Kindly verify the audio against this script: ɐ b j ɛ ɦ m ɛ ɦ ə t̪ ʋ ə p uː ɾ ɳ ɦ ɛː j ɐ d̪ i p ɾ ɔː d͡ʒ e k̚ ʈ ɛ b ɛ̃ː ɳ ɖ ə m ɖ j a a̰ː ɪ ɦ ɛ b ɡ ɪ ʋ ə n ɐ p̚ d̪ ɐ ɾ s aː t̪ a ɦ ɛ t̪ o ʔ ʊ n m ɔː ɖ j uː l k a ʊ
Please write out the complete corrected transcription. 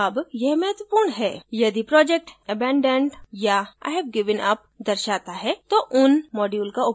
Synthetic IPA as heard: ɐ b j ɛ ɦ m ɛ ɦ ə t̪ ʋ ə p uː ɾ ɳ ɦ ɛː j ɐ d̪ i p ɾ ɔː d͡ʒ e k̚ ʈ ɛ b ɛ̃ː ɳ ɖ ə ɳ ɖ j a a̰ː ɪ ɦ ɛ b ɡ ɪ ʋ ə n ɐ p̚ d̪ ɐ ɾ ʃ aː t̪ a ɦ ɛ t̪ o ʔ ʊ n m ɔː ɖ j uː l k a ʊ